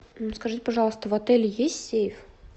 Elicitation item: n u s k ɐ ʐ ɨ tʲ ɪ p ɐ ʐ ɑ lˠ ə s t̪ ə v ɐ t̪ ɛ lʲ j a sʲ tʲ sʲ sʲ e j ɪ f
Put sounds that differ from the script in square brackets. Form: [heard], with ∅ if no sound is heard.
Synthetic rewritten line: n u s k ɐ ʐ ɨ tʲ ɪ p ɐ ʐ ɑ lˠ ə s t̪ ə v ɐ t̪ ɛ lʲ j [e] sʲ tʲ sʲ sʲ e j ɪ f